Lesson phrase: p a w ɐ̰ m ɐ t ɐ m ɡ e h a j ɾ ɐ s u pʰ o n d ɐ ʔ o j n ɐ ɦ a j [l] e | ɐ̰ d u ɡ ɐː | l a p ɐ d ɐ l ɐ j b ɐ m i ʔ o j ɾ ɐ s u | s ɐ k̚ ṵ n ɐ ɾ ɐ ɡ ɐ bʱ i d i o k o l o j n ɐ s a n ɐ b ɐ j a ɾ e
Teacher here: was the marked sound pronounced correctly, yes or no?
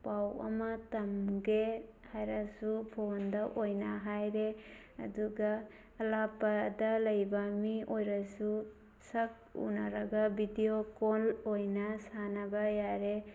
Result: no